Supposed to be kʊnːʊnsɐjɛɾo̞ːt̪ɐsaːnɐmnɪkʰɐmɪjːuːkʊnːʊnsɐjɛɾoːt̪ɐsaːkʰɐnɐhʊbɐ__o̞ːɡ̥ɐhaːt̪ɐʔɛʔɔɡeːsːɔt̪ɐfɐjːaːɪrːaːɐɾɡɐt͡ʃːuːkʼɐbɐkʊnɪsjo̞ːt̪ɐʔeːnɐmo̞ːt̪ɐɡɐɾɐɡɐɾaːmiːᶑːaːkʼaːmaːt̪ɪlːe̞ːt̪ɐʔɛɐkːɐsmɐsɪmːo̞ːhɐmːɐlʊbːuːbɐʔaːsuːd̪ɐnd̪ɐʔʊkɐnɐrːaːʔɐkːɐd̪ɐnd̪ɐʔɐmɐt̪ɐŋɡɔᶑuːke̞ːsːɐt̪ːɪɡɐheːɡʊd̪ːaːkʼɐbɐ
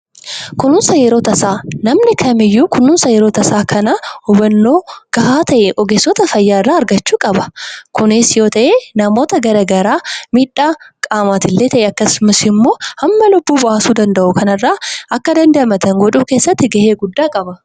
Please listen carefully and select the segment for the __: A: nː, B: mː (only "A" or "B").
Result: A